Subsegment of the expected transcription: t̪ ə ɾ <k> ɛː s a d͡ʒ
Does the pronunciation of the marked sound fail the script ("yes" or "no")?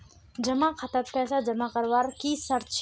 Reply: yes